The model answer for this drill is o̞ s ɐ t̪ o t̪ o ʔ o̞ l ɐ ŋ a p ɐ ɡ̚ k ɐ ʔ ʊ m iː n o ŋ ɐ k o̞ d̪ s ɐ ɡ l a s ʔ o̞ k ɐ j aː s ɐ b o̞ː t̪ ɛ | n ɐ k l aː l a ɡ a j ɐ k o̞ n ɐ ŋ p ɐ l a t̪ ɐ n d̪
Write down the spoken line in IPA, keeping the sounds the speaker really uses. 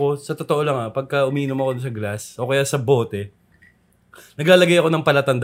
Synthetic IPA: o̞ s ɐ t̪ o t̪ o ʔ o̞ l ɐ ŋ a p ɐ ɡ̚ k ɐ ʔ ʊ m iː n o m ɐ k o̞ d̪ s ɐ ɡ l a s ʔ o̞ k ɐ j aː s ɐ b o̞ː t̪ ɛ | n ɐ ɡ l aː l ɐ ɡ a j ɐ k o̞ n ɐ ŋ p ɐ l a t̪ ɐ n d̪